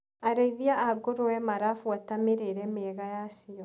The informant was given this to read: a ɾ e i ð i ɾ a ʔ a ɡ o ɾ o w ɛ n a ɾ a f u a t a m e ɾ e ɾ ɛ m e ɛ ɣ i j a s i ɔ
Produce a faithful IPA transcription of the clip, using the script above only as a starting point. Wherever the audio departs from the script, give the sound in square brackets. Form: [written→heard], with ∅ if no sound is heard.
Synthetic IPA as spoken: a ɾ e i ð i [ɾ→∅] a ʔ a ɡ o ɾ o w ɛ [n→m] a ɾ a f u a t a m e ɾ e ɾ ɛ m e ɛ ɣ [i→a] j a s i ɔ